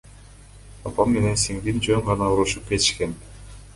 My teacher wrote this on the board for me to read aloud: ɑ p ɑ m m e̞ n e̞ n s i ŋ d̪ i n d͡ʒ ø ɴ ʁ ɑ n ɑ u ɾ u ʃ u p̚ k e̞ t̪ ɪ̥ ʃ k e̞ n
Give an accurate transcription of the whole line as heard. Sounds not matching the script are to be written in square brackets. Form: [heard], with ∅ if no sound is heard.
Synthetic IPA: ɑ p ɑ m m e̞ n e̞ n s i ŋ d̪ i n d͡ʒ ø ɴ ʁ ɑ n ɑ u ɾ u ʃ u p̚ k e̞ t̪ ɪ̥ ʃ k e̞ n